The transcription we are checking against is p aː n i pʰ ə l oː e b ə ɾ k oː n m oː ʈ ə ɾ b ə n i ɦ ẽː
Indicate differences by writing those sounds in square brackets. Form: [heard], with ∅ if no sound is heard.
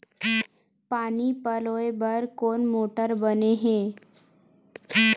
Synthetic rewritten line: p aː n i [p] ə l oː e b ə ɾ k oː n m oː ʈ ə ɾ b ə n [e] ɦ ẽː